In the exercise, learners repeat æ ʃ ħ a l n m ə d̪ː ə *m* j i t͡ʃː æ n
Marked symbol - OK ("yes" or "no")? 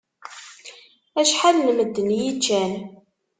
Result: no